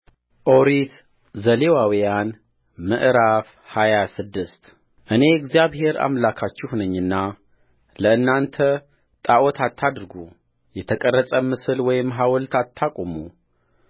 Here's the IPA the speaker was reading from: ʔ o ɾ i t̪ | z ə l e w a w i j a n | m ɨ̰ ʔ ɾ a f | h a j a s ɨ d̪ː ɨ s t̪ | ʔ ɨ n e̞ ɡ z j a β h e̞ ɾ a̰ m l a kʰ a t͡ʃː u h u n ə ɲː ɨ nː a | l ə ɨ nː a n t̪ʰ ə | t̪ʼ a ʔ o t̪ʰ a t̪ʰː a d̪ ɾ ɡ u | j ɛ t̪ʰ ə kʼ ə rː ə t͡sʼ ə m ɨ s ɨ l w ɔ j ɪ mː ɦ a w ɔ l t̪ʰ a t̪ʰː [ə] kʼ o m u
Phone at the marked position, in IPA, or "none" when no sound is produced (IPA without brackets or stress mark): a